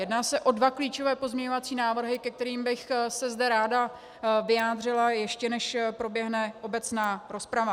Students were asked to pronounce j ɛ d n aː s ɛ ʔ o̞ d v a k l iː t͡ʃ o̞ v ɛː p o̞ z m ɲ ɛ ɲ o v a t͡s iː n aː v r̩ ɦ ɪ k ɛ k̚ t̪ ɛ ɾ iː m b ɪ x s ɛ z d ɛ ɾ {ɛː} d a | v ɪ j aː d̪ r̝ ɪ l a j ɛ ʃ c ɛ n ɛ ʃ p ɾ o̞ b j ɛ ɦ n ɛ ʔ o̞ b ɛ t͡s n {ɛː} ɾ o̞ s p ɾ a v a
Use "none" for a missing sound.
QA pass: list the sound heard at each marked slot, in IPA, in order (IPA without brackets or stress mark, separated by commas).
aː, aː